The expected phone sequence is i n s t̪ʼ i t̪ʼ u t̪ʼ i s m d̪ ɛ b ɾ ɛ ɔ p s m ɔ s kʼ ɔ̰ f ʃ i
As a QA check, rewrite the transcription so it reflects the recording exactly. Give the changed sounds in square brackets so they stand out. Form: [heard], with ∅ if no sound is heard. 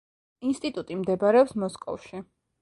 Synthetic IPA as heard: i n s t̪ʼ i t̪ʼ u t̪ʼ i [∅] m d̪ ɛ b ɾ ɛ ɔ p s m ɔ s kʼ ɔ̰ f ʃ i